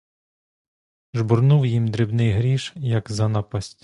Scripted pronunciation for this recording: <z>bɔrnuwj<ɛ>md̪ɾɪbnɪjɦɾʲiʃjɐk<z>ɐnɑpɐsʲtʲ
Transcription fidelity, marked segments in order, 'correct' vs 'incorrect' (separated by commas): incorrect, incorrect, correct